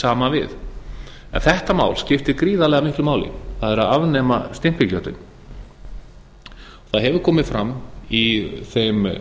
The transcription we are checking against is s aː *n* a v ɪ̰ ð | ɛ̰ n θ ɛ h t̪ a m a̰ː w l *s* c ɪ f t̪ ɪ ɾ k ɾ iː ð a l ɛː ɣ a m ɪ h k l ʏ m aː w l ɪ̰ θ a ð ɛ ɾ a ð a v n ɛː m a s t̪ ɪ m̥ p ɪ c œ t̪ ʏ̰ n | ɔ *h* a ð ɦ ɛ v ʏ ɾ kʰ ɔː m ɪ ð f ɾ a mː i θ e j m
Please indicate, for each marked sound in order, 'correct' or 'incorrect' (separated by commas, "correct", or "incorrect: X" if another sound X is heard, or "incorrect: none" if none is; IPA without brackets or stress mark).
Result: incorrect: m, correct, incorrect: θ